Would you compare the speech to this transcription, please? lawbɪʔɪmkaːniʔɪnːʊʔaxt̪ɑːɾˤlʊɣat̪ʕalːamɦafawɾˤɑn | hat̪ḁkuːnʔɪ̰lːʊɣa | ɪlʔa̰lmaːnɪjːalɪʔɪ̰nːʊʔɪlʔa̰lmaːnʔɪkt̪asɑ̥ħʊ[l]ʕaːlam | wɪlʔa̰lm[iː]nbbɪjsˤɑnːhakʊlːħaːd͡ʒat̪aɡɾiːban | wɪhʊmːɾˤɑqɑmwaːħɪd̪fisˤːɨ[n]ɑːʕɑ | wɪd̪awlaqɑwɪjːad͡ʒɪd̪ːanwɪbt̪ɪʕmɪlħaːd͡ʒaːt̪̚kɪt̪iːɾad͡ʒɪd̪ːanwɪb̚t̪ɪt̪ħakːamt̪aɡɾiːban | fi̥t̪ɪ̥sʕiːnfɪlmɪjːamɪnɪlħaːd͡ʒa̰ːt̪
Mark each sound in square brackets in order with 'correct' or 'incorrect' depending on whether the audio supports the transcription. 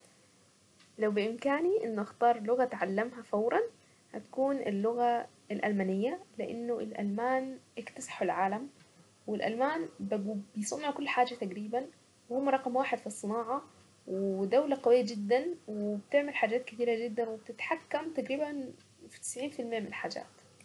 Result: correct, incorrect: aː, correct

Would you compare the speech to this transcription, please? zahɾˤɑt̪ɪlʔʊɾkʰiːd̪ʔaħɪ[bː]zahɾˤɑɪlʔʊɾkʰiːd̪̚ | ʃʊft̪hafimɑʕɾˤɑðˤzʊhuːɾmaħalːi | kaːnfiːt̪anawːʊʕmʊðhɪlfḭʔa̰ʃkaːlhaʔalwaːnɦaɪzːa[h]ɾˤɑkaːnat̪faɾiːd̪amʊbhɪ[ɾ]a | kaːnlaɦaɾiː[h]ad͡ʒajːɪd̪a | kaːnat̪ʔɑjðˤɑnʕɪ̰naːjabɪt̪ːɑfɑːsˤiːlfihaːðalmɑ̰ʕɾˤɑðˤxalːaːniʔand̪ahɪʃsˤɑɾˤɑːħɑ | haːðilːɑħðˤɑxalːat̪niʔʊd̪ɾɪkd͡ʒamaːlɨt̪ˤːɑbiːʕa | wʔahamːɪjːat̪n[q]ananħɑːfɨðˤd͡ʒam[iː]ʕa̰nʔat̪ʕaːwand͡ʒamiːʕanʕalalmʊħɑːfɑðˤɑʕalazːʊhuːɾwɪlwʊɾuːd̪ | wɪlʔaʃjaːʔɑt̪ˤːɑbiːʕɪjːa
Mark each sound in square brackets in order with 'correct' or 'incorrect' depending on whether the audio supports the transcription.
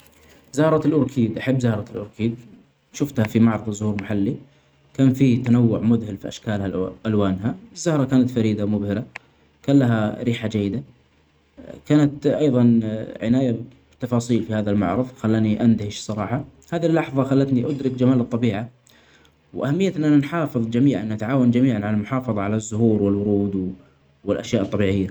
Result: correct, correct, correct, incorrect: ħ, incorrect: ʔ, correct

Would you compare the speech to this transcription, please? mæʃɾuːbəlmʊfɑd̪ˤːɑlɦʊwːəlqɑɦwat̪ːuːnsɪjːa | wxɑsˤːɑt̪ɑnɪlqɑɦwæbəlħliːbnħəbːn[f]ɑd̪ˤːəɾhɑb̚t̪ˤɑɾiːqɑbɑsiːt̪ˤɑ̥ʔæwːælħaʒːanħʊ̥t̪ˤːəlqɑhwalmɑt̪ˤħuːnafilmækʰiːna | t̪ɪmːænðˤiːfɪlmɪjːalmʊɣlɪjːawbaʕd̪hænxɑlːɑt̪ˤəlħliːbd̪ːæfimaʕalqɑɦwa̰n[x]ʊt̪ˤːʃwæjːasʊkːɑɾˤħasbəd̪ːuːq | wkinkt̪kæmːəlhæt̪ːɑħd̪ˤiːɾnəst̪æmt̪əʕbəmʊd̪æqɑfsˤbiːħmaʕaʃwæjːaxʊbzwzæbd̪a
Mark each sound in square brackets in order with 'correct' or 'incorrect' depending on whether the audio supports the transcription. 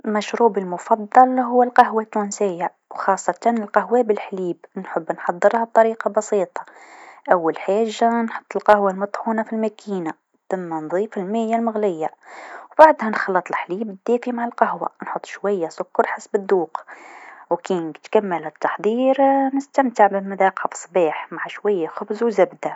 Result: incorrect: ħ, incorrect: ħ

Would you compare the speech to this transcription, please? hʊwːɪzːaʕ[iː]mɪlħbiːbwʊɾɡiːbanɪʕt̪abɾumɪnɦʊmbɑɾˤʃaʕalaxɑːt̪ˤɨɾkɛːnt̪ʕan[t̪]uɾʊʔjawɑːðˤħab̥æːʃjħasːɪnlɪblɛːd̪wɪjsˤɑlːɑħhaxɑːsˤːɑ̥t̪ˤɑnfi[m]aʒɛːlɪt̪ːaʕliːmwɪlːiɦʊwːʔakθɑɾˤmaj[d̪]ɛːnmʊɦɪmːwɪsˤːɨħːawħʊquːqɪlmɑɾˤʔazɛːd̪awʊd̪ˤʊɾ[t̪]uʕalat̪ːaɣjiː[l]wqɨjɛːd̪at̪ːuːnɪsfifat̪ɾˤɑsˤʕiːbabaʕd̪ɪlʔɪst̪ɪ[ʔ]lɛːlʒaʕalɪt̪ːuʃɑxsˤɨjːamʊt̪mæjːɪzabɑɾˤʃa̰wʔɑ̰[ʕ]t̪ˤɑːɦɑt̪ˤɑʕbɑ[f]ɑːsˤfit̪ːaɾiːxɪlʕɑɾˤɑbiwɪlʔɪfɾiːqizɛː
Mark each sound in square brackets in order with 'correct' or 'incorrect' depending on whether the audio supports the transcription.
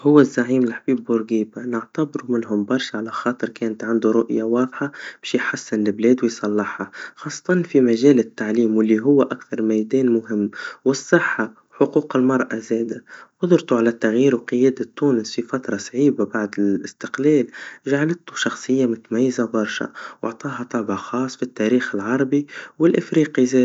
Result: correct, incorrect: d̪, correct, correct, correct, incorrect: ɾ, incorrect: q, correct, incorrect: x

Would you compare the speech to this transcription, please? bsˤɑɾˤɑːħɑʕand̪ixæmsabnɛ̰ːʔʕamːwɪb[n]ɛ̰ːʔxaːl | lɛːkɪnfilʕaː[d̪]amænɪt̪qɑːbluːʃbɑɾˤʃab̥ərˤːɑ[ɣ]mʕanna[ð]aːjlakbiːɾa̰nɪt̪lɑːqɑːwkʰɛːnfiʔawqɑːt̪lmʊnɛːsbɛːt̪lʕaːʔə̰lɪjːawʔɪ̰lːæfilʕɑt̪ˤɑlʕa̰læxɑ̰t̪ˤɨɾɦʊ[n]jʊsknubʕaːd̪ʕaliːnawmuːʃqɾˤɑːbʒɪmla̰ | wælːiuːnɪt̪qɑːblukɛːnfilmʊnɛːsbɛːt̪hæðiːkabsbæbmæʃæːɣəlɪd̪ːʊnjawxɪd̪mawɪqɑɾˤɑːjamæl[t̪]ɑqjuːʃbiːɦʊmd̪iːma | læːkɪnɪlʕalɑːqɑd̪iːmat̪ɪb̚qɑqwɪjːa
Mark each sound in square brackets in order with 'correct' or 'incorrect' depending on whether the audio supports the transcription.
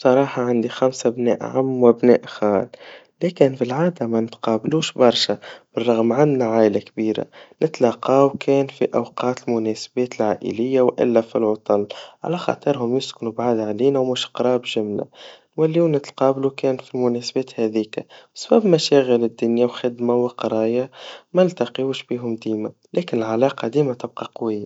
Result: correct, correct, correct, incorrect: ʕ, incorrect: m, correct

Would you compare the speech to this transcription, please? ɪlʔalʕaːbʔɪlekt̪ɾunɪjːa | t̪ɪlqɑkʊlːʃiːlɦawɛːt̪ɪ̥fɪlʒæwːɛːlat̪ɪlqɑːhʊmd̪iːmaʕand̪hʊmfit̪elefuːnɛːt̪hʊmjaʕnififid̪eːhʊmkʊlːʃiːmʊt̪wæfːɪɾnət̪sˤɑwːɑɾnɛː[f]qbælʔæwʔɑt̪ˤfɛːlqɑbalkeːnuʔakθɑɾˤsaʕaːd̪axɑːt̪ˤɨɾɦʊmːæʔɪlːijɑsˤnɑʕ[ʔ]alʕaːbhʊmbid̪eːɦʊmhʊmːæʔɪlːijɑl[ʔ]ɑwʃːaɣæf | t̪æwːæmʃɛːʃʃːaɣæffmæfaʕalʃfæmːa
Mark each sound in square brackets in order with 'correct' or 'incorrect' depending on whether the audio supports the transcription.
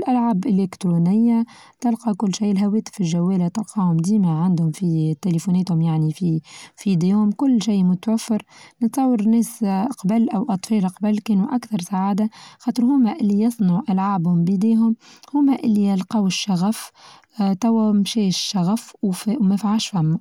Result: incorrect: s, correct, incorrect: q

